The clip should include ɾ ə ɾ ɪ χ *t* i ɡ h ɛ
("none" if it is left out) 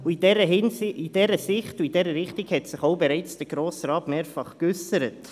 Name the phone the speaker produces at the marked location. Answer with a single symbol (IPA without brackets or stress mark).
t